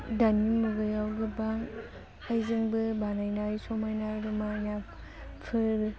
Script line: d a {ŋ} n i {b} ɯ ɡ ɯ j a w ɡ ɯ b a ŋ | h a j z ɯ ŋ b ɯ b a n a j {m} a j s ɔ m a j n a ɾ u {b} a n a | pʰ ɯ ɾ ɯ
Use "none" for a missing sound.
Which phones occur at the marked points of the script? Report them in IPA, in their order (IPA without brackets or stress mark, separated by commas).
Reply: none, m, n, m